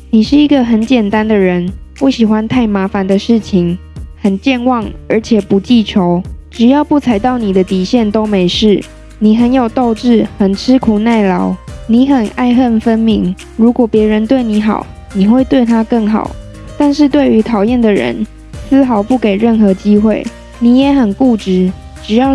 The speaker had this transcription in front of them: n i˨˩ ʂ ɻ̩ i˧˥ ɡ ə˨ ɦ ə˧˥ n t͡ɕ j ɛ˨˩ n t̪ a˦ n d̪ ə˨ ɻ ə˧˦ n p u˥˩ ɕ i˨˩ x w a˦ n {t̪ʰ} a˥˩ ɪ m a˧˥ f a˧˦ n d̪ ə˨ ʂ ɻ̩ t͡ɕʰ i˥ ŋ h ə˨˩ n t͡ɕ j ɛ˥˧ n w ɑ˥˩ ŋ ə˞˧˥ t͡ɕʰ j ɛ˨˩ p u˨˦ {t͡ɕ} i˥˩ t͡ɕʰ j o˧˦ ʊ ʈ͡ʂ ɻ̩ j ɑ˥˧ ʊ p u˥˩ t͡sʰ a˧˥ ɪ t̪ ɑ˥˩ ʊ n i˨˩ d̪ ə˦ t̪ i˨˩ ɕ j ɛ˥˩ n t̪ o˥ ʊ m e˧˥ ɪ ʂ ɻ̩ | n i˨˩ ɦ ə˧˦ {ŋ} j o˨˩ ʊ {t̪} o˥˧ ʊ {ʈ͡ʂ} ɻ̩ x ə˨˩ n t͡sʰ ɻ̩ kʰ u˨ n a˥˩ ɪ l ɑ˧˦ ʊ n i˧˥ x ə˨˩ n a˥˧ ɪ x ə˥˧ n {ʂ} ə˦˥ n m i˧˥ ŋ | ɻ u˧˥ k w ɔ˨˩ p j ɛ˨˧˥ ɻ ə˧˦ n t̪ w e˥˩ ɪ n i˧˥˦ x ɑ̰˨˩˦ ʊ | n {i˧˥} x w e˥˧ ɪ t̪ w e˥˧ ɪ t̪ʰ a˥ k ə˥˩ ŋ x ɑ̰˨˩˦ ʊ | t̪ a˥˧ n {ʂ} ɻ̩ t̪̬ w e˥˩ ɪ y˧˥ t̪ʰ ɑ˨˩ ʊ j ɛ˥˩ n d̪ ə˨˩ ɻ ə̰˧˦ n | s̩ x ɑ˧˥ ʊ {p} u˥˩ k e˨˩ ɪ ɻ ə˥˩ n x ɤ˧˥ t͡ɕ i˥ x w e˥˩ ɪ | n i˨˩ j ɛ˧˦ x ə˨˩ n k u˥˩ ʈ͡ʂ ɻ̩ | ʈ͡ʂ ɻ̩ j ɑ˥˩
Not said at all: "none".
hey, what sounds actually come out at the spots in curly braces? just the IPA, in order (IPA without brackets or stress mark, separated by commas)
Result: t̪ʰ, t͡ɕ, n, t̪, ʈ͡ʂ, f, i˨˩, ʂ, p